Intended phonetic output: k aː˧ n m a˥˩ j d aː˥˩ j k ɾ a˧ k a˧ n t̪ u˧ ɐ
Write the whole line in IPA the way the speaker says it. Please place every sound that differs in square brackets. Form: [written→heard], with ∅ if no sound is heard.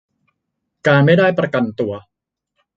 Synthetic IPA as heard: k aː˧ n m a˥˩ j d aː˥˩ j [k→p] ɾ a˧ k a˧ n t̪ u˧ ɐ